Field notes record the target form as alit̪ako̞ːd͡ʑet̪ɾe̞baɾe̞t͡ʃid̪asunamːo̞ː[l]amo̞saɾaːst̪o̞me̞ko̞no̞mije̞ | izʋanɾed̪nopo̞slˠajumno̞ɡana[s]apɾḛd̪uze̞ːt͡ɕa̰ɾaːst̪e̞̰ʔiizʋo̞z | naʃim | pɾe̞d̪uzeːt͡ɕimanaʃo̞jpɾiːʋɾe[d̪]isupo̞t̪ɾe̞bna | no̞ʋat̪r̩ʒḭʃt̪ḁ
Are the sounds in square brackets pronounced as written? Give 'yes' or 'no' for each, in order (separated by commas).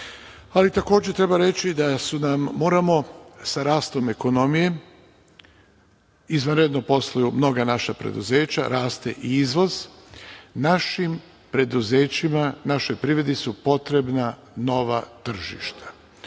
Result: no, no, yes